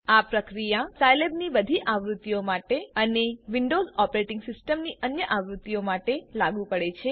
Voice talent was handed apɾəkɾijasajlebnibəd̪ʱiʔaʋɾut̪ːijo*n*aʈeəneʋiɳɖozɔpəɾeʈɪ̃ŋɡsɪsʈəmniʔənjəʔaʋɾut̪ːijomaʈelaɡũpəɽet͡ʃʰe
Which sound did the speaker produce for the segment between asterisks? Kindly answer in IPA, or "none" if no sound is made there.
m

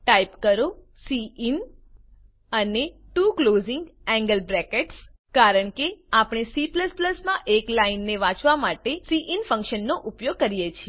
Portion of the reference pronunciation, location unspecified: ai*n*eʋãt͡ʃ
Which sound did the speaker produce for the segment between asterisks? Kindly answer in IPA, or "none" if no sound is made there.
nː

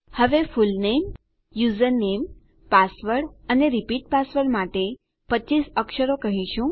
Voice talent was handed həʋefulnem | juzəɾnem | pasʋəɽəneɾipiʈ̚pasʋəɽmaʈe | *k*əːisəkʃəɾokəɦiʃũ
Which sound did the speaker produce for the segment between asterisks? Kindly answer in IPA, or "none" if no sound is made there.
p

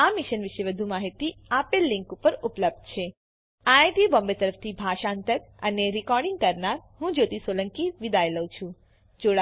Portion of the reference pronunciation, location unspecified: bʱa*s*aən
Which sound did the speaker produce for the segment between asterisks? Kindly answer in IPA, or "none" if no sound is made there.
ʃ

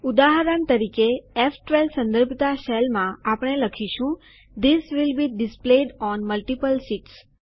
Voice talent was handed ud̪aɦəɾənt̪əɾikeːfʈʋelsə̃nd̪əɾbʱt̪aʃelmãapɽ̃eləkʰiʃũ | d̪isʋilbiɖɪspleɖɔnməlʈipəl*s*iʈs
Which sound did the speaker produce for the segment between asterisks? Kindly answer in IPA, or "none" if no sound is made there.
s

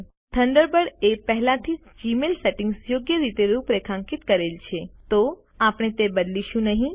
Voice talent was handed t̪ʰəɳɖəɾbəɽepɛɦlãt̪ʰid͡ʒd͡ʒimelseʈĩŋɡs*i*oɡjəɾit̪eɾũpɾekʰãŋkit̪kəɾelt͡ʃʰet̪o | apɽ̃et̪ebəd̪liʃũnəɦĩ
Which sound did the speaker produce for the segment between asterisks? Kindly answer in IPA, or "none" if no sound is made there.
j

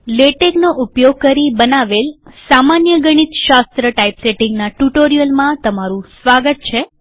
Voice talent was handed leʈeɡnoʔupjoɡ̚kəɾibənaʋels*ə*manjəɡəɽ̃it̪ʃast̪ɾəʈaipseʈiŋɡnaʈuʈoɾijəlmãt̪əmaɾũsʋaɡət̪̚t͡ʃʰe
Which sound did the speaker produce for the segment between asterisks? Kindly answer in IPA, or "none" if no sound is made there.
a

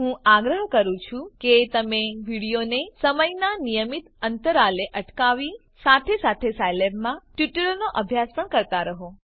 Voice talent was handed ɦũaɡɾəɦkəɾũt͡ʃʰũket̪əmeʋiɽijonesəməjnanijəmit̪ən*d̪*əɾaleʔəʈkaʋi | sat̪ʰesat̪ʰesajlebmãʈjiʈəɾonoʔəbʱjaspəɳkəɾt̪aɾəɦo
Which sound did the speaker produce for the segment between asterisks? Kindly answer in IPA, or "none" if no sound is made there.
t̪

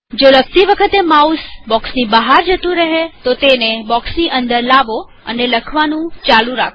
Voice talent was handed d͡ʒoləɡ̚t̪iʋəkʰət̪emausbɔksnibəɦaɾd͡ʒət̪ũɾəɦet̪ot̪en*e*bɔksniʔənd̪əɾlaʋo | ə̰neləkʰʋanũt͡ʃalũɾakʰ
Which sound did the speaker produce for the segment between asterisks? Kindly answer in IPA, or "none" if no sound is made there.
e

